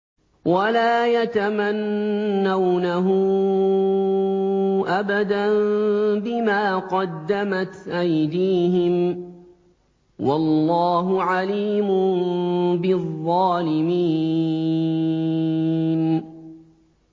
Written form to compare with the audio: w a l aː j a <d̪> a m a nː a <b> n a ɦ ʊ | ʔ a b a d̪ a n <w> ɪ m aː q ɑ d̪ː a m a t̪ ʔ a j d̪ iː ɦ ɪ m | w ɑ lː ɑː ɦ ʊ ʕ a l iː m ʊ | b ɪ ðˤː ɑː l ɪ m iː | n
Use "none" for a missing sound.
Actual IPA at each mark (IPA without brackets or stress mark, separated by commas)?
t̪, w, b